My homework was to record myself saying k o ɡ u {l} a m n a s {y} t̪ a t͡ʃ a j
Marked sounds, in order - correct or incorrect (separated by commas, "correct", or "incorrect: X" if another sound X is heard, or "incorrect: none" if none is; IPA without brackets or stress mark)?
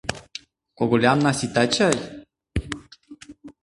correct, incorrect: i